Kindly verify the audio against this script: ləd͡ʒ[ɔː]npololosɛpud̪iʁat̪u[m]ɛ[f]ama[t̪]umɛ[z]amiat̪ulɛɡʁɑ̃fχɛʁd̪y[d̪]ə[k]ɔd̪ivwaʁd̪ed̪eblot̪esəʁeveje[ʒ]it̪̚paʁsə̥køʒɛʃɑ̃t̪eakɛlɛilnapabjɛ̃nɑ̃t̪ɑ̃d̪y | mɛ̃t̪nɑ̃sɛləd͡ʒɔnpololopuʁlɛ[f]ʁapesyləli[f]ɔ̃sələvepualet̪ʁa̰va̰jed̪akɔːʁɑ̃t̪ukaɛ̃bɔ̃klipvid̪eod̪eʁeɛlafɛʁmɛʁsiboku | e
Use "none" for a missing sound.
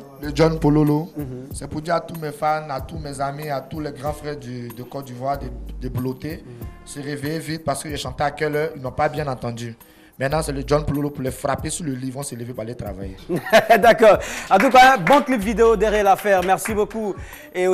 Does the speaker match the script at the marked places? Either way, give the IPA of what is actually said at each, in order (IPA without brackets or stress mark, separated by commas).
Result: ɔ, m, f, t̪, z, d̪, k, v, f, v